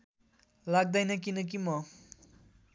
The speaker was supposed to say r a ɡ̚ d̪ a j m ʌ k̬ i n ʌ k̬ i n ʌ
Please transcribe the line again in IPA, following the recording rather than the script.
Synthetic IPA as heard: l a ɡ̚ d̪ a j n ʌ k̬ i n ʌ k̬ i m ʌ